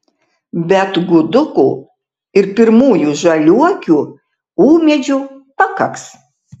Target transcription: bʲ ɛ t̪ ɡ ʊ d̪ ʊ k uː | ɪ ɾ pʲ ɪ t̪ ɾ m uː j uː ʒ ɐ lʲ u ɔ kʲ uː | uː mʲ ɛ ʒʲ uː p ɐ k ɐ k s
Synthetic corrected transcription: bʲ ɛ t̪ ɡ ʊ d̪ ʊ k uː | ɪ ɾ pʲ ɪ ɾ m uː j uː ʒ ɐ lʲ u ɔ kʲ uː | uː mʲ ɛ d͡ʒʲ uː p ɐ k ɐ k s